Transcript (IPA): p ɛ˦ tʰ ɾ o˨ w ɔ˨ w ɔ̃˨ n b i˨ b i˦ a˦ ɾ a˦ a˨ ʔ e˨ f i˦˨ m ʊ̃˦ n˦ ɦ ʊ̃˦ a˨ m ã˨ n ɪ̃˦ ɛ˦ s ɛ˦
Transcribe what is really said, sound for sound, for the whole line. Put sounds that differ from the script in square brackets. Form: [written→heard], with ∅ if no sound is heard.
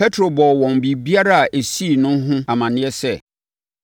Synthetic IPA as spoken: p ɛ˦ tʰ ɾ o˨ [w→b] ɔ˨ w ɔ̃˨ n b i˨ b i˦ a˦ ɾ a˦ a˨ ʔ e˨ [f→s] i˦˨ [m→n] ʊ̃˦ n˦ ɦ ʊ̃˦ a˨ m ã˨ n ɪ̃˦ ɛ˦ s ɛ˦